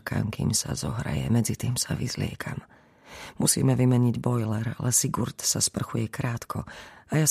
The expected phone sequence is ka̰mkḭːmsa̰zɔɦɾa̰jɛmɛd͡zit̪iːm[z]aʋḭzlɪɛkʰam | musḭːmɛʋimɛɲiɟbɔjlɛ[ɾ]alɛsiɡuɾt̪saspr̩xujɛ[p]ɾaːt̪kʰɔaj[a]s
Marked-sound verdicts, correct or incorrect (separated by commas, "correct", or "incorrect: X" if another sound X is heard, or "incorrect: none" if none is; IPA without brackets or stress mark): incorrect: s, correct, incorrect: k, correct